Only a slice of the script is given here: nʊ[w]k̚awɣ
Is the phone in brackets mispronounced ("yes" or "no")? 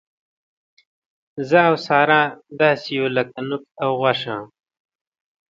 yes